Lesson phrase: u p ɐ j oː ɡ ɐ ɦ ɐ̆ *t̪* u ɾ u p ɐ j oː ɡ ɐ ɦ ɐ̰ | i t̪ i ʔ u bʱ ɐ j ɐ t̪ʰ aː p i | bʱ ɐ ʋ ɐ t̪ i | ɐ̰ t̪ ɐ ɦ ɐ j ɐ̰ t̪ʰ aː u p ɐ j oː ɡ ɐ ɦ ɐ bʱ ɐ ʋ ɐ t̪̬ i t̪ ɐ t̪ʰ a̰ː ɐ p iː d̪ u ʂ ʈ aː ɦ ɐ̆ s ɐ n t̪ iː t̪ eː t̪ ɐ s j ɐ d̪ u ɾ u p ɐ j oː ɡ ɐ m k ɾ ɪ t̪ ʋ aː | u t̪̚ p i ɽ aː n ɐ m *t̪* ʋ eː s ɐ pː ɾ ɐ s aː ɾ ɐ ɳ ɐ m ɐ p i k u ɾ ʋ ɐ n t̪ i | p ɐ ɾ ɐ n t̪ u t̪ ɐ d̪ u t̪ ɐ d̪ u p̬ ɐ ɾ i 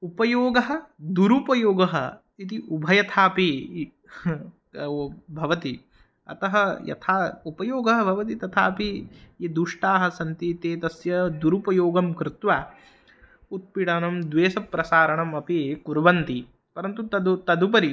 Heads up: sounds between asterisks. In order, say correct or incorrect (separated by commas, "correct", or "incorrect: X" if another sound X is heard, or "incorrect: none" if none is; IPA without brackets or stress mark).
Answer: incorrect: d̪, incorrect: d̪